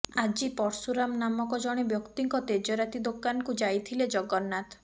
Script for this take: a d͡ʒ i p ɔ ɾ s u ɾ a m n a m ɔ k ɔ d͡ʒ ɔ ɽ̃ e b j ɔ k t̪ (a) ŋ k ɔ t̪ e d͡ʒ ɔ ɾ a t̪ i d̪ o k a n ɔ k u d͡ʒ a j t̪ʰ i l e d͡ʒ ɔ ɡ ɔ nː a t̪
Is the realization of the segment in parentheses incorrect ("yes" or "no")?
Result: yes